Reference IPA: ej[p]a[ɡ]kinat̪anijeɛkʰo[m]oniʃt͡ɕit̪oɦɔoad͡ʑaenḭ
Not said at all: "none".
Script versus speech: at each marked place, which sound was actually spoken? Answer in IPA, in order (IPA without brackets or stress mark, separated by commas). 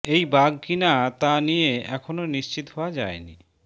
b, ɡ, n